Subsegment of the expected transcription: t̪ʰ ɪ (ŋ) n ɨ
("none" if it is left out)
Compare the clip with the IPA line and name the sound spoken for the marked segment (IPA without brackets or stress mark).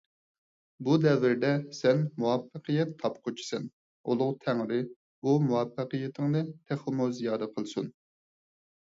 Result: ŋ